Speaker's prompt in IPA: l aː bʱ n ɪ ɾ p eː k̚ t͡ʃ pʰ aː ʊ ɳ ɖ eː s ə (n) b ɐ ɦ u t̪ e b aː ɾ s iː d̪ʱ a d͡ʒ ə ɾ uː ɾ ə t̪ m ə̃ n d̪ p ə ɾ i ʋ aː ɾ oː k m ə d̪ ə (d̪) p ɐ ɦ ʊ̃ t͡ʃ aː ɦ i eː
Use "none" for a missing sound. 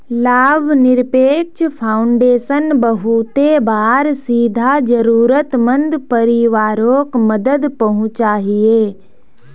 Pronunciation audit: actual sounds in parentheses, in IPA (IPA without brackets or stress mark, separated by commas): n, d̪